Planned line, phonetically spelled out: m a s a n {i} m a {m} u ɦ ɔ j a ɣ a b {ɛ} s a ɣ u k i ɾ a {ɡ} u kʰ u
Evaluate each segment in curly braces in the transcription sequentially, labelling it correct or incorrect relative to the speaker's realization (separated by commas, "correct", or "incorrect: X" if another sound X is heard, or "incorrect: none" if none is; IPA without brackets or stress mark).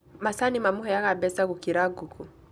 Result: correct, correct, correct, correct